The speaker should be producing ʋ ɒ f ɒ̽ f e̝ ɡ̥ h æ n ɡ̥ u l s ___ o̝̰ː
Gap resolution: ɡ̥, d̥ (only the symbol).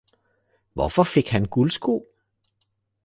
ɡ̥